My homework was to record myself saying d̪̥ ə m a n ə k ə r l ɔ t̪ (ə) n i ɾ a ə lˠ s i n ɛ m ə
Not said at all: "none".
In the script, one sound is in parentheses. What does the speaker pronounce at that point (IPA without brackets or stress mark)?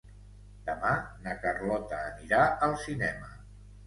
əː